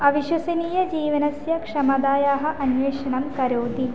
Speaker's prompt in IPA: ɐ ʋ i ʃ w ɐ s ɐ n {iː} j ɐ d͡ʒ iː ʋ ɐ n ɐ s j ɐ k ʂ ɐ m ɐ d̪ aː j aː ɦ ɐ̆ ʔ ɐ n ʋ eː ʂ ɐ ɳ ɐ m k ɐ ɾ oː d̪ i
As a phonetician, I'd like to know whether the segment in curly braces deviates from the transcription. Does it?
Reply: no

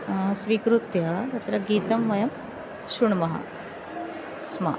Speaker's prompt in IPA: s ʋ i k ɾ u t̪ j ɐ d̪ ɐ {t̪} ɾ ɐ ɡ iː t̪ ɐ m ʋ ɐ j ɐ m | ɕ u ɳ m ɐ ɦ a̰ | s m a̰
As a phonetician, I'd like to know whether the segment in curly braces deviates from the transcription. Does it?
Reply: no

